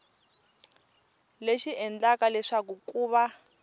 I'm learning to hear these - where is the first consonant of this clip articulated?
tongue tip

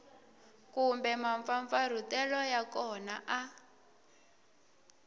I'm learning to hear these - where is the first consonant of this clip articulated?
velum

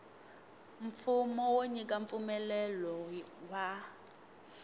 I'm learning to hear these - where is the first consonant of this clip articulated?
lips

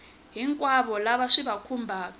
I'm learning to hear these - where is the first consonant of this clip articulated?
throat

